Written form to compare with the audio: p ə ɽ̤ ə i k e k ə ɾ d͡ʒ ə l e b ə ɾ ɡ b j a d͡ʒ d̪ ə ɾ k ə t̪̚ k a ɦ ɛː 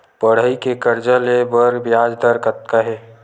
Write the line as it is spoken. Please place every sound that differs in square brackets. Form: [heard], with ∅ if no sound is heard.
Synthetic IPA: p ə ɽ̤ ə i k e k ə ɾ d͡ʒ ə l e b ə ɾ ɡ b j a d͡ʒ d̪ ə ɾ k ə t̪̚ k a ɦ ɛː